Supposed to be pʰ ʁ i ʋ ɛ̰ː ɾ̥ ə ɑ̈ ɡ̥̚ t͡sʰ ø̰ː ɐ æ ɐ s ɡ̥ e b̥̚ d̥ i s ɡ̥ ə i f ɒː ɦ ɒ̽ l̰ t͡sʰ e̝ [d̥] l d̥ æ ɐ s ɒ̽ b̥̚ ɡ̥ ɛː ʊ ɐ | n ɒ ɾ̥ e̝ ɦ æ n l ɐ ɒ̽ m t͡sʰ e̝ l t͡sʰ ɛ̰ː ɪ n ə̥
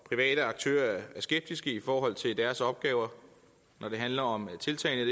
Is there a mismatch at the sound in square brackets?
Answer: yes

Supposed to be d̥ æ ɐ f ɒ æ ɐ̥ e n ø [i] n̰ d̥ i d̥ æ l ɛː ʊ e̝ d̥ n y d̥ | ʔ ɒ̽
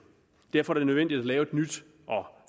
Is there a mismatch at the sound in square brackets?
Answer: yes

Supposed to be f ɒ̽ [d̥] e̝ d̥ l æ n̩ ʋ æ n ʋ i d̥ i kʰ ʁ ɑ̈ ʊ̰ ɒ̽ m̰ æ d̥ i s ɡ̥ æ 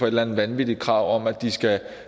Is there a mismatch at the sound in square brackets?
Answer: yes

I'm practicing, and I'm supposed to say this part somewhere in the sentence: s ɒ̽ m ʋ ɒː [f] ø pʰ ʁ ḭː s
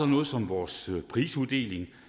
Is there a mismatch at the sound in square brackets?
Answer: yes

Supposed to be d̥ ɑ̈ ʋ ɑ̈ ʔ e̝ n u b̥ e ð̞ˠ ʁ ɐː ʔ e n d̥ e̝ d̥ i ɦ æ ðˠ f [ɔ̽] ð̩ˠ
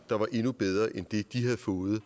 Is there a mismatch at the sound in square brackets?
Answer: yes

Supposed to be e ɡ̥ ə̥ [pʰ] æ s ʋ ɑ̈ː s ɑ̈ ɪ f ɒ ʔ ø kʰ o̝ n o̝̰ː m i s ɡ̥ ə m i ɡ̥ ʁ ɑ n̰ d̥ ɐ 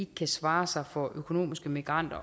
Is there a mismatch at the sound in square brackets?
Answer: yes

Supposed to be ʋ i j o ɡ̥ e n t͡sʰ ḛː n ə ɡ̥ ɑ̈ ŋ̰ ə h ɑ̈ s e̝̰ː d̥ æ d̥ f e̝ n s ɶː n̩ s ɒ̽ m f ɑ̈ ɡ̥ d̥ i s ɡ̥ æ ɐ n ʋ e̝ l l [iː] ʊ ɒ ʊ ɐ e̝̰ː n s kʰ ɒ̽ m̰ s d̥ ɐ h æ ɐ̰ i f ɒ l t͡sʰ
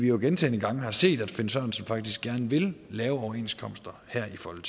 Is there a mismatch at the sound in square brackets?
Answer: yes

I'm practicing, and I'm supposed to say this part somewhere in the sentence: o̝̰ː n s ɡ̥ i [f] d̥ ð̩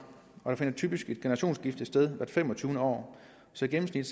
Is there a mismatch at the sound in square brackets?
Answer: no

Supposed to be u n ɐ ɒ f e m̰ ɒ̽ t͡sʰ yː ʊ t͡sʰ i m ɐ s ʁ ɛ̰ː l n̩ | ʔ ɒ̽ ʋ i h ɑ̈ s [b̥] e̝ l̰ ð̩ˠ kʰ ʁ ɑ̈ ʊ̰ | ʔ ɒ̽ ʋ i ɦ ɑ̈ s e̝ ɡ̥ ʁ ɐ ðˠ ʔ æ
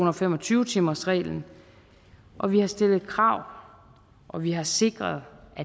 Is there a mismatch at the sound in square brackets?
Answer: yes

